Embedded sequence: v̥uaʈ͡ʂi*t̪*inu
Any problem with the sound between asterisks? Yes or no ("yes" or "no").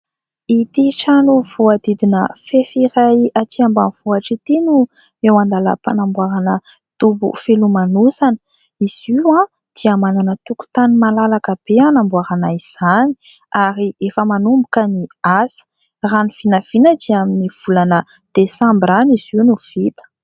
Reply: no